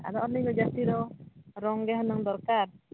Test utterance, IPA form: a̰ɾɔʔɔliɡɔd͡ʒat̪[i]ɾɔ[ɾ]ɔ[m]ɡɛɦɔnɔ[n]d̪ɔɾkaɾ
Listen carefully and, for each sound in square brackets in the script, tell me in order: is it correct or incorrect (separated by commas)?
correct, correct, incorrect, incorrect